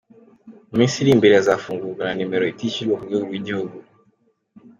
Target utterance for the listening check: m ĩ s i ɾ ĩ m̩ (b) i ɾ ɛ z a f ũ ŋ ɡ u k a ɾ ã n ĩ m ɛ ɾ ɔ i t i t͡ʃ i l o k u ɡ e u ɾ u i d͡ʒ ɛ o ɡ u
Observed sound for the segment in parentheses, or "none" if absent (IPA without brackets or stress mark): b